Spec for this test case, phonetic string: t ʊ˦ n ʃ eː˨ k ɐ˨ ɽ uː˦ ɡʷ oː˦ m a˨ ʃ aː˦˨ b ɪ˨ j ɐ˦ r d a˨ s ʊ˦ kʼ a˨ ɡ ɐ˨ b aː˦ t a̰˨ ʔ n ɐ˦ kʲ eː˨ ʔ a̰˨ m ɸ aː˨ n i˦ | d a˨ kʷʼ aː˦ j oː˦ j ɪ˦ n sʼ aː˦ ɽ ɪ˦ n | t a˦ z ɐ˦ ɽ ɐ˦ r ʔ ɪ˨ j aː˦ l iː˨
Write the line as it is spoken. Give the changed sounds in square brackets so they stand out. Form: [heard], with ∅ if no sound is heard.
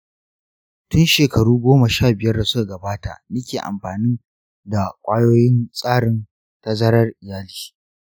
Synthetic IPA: t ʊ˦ n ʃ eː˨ k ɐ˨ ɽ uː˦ ɡʷ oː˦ m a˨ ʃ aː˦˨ b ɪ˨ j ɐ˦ r d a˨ s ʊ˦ [k] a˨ ɡ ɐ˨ b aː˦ t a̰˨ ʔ n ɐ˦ kʲ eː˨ ʔ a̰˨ m ɸ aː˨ n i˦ | d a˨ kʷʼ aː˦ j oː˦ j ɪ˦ n sʼ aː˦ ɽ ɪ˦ n | t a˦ z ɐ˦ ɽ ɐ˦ r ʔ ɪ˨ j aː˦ l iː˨